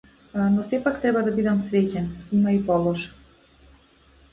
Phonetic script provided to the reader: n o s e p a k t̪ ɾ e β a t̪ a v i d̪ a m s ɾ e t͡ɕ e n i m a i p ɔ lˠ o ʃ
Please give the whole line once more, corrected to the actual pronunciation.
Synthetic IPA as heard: n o s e p a k t̪ ɾ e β a d̪ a b i d̪ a m s ɾ e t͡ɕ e n i m a i p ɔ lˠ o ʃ